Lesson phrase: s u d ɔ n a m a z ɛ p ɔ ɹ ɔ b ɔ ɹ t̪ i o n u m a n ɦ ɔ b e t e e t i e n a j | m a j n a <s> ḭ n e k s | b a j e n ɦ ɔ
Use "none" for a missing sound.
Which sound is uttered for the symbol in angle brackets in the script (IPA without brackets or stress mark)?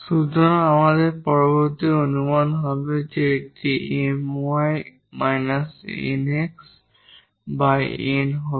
s